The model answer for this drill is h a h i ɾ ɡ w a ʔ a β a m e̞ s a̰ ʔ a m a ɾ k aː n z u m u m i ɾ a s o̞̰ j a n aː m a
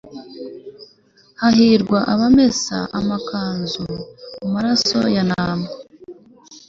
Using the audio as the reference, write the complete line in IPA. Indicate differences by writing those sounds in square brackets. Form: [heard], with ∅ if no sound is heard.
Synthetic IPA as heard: h a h i ɾ ɡ w a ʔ a β a m e̞ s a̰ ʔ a m a [∅] k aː n z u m u m [a] ɾ a s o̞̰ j a n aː m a